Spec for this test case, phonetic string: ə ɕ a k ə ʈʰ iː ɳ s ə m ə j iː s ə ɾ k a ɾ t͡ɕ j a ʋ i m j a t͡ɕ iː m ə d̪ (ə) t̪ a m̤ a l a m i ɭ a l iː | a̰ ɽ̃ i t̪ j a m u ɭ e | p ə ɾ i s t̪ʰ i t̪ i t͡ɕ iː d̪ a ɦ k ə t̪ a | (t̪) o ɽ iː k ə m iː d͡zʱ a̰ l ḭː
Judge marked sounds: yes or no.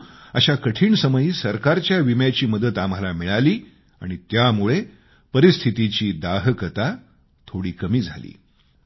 yes, no

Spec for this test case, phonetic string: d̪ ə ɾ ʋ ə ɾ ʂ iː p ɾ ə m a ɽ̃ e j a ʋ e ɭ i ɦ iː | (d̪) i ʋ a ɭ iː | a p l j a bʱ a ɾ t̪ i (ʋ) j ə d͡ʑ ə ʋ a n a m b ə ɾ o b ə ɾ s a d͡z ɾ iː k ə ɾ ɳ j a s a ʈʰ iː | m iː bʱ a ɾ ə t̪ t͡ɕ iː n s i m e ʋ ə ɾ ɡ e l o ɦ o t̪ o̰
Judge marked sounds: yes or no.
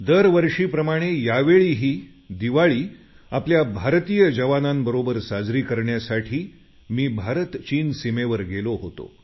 yes, no

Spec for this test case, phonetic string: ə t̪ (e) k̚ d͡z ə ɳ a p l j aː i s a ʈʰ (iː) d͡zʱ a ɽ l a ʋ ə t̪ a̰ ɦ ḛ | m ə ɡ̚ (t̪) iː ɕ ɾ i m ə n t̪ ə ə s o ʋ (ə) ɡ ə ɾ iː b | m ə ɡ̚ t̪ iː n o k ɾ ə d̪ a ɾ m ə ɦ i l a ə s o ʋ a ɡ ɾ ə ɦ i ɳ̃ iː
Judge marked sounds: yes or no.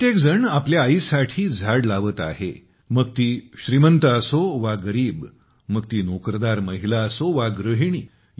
yes, yes, yes, no

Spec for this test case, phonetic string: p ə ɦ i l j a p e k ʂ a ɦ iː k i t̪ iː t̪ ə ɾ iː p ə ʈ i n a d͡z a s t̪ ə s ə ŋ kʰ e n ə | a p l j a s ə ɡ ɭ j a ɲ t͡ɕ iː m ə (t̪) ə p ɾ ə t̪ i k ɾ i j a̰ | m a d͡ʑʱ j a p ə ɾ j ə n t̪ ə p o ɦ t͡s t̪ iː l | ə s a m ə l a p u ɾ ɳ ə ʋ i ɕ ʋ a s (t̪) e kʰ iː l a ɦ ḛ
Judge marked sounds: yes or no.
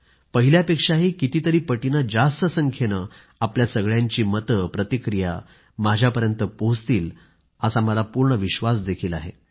yes, no

